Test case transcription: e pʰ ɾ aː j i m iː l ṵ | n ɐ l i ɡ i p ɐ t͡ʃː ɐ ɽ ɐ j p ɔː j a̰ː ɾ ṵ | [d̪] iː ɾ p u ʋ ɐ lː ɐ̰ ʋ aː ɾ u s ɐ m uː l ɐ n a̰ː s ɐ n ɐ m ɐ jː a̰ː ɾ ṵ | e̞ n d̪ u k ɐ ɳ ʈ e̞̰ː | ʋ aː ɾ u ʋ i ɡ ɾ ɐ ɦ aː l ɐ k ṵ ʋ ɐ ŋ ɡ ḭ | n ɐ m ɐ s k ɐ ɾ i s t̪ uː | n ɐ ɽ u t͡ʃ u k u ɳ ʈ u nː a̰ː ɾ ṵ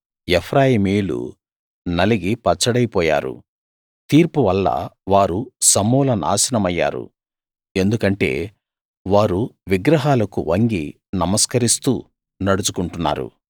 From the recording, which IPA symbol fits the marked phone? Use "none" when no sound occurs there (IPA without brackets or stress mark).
t̪